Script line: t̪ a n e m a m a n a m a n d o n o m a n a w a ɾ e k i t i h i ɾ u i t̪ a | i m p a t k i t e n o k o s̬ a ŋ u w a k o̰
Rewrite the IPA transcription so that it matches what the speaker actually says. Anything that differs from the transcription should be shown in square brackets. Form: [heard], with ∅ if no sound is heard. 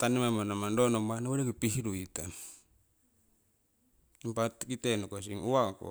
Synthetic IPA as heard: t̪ a n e m a m a n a m a n d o n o m a n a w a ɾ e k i [p] i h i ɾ u i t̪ a | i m p a t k i t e n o k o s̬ [i] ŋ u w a k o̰